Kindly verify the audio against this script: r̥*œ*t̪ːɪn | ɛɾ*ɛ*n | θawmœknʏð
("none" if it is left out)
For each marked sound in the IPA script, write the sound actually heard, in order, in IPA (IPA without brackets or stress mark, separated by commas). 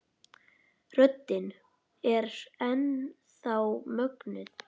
œ, ɛ